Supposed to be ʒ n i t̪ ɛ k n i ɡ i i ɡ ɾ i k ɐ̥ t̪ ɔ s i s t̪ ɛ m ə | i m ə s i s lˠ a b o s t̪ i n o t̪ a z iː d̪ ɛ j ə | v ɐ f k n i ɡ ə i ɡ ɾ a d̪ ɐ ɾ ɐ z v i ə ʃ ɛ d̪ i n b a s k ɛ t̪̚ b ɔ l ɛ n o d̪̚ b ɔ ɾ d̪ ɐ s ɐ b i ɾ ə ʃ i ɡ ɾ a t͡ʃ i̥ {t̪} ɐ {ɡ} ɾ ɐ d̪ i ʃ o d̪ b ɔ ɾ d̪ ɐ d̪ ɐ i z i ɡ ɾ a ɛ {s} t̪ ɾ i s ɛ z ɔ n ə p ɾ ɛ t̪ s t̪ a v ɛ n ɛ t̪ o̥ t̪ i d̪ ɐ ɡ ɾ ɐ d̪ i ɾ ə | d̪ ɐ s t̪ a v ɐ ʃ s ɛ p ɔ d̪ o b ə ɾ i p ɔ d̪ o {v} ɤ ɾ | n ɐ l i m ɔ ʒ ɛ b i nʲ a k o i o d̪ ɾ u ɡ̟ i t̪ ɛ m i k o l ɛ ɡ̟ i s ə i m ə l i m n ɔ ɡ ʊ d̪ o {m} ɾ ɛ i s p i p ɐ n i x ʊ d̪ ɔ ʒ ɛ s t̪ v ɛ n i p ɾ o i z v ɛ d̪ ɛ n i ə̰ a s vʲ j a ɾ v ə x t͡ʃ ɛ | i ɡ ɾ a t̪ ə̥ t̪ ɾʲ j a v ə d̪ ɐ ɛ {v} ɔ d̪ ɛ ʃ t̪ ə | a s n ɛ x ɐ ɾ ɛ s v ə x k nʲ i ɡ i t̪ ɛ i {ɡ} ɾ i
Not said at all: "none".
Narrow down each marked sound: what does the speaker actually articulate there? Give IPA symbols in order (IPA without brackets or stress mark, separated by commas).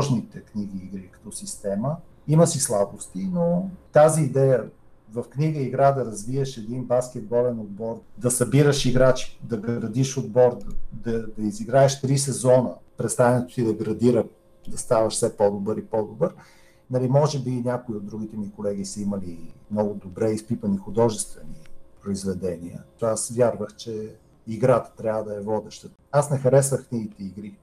d̪, ɡ, ʃ, b, b, v, ɡ